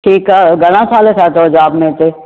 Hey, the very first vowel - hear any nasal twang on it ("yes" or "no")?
no